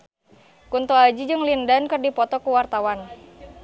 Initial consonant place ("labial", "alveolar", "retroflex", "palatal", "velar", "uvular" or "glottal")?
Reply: velar